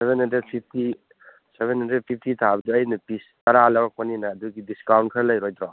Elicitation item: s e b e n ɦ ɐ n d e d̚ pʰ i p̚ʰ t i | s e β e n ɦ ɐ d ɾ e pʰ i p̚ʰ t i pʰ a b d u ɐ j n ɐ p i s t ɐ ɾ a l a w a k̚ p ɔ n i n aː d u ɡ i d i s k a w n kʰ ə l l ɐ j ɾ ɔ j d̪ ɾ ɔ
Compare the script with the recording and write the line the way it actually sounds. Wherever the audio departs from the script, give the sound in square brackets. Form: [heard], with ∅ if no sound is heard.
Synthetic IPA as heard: s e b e n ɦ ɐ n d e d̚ pʰ i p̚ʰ t i | s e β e n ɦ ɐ [n] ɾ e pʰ i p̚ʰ t i [tʰ] a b d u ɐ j n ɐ p i s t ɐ ɾ a l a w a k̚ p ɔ n i n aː d u ɡ i d i s k a w n kʰ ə [ɾ] l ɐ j ɾ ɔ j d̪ ɾ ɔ

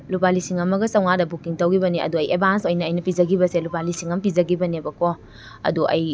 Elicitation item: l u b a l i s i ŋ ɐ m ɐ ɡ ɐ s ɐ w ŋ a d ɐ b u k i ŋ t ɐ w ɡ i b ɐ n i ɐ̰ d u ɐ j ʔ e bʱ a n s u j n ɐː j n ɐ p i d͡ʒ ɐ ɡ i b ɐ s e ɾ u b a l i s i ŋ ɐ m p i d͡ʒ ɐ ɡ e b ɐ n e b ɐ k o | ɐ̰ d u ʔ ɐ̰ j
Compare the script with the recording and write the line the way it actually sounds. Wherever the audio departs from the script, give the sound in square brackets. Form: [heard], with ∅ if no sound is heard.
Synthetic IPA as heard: l u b a l i s i ŋ ɐ m ɐ ɡ ɐ s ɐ w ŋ a d ɐ b u k i ŋ t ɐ w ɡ i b ɐ n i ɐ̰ d u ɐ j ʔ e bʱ a n s [o] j n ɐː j n ɐ p i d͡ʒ ɐ ɡ i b ɐ s e [l] u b a l i s i ŋ ɐ m p i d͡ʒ ɐ ɡ [i] b ɐ n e b ɐ k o | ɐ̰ d u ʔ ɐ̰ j

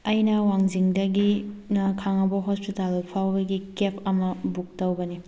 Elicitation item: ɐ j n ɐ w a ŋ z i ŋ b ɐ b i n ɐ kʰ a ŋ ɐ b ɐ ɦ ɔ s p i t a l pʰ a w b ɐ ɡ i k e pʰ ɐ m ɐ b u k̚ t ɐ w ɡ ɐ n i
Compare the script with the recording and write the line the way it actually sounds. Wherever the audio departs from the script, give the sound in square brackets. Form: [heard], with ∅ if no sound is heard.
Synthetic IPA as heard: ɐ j n ɐ w a ŋ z i ŋ [d] ɐ [ɡ] i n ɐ kʰ a ŋ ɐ b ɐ ɦ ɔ s p i t a l pʰ a w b ɐ ɡ i k e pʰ ɐ m ɐ b u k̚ t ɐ w [b] ɐ n i

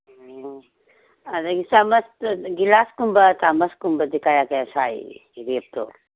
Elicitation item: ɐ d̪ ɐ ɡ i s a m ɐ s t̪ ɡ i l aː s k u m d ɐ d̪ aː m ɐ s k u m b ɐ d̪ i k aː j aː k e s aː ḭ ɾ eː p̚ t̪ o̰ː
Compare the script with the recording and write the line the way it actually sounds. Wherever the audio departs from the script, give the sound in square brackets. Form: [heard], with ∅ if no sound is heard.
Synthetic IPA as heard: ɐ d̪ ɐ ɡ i s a m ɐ s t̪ ɡ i l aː s k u m [b] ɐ [t̪] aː m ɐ s k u m b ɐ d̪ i k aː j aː k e s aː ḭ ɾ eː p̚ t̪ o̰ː

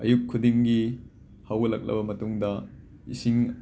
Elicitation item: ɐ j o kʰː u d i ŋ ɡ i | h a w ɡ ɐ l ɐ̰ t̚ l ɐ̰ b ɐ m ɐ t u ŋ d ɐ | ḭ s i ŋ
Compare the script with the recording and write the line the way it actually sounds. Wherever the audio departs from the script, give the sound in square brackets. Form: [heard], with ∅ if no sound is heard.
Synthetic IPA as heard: ɐ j [u] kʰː u d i ŋ ɡ i | h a w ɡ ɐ l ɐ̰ [k̚] l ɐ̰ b ɐ m ɐ t u ŋ d ɐ | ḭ s i ŋ

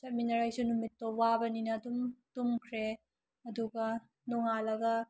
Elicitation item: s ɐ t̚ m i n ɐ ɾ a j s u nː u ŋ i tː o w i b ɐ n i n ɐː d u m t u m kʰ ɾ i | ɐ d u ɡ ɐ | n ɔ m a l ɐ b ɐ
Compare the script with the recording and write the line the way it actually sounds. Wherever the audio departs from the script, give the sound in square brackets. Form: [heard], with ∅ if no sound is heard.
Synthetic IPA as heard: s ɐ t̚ m i n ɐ ɾ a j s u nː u [m] i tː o w [a] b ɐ n i n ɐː d u m t u m kʰ ɾ [e] | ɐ d u ɡ ɐ | n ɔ [ŋ] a l ɐ [ɡ] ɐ

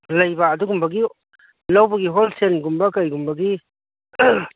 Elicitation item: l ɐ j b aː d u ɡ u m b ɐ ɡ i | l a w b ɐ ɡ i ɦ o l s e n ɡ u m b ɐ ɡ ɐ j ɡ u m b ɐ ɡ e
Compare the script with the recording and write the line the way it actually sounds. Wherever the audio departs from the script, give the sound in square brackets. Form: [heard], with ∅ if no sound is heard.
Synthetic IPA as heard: l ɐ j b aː d u ɡ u m b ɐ ɡ i | l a w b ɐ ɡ i ɦ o l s e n ɡ u m b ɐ [k] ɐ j ɡ u m b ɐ ɡ [i]

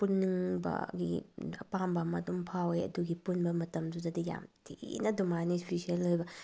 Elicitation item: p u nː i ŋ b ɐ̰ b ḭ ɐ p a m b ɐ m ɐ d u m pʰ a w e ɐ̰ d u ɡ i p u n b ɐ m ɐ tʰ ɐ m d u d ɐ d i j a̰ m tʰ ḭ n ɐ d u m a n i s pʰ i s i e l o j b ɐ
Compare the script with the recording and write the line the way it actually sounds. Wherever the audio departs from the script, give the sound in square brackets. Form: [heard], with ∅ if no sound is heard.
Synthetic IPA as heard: p u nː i ŋ b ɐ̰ [ɡ] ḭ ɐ p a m b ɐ m ɐ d u m pʰ a w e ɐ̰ d u ɡ i p u n b ɐ m ɐ [t] ɐ m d u d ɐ d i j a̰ m tʰ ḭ n ɐ d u m a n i s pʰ i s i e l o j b ɐ

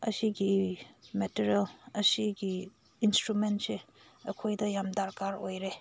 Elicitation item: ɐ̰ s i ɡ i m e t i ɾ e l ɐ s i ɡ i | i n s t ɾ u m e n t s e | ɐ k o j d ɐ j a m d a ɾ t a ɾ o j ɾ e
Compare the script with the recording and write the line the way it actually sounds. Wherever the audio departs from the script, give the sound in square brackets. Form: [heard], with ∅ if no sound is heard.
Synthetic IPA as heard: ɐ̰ s i ɡ i m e t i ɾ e l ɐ s i ɡ i | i n s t ɾ u m e n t s e | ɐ [kʰ] o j d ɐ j a m d a ɾ [k] a ɾ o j ɾ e

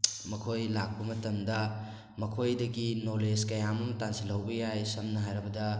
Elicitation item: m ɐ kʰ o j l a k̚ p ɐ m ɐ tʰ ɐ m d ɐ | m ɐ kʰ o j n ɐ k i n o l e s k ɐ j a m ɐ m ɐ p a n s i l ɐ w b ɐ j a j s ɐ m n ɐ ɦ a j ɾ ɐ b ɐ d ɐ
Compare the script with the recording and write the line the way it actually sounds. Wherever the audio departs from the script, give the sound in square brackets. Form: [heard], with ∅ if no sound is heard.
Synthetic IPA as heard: m ɐ kʰ o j l a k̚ p ɐ m ɐ [t] ɐ m d ɐ | m ɐ kʰ o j [d] ɐ [ɡ] i n o l e s k ɐ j a m ɐ m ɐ [t] a n s i l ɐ w b ɐ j a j s ɐ m n ɐ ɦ a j ɾ ɐ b ɐ d ɐ

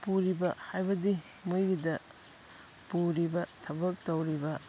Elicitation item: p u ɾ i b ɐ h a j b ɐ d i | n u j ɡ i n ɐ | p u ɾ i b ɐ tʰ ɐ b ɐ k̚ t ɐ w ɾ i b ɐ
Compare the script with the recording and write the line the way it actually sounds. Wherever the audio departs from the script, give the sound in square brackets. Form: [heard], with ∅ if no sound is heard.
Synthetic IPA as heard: p u ɾ i b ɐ h a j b ɐ d i | [m] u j ɡ i [d] ɐ | p u ɾ i b ɐ tʰ ɐ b ɐ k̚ t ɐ w ɾ i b ɐ

